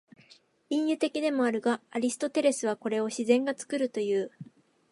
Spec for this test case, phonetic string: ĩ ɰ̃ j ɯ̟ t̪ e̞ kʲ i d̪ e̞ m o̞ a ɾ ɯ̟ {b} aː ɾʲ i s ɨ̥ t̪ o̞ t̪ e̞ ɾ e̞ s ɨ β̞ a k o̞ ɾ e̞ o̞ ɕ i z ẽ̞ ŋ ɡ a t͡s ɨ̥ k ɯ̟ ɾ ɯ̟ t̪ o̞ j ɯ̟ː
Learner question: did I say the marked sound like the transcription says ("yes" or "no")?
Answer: no